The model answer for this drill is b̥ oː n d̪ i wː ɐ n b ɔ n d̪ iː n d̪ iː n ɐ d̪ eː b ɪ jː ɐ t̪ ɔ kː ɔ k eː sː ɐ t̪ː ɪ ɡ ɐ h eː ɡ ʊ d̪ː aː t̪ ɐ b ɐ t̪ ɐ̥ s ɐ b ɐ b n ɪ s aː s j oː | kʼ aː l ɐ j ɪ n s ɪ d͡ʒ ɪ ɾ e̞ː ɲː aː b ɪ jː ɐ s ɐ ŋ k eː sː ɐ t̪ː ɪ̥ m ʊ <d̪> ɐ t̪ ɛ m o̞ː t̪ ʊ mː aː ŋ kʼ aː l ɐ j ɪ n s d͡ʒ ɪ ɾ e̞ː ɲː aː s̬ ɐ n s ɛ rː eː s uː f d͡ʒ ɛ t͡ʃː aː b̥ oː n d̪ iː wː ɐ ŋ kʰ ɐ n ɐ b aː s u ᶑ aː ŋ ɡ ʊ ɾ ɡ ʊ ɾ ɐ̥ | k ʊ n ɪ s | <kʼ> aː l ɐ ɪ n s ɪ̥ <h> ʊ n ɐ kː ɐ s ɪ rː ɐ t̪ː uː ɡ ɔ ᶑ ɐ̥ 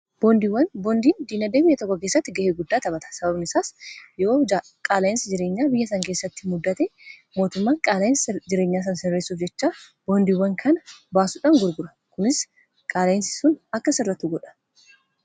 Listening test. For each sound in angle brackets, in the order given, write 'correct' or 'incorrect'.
incorrect: d̪ː, correct, incorrect: s

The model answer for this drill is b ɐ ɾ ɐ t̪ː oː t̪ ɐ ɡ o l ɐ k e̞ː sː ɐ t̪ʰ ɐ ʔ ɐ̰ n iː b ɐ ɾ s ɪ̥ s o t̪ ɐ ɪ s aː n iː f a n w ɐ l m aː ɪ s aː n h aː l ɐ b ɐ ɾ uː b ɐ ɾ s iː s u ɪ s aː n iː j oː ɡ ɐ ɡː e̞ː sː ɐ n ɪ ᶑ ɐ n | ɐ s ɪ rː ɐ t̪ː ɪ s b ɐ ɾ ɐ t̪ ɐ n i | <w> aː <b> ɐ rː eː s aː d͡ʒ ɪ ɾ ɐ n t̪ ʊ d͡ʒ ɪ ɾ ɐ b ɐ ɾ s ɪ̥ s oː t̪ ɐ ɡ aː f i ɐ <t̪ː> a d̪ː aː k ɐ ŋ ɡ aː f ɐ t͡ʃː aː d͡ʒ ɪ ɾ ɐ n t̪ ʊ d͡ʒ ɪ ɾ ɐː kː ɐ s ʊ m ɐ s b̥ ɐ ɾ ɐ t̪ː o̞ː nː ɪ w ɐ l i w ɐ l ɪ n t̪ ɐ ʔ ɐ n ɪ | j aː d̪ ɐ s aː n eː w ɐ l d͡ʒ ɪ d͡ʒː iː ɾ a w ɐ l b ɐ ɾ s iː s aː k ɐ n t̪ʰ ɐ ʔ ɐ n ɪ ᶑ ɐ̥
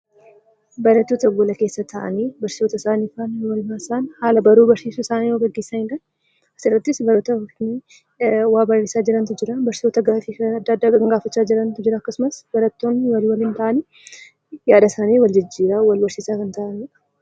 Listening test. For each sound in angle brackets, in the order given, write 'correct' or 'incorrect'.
correct, correct, incorrect: d̪ː

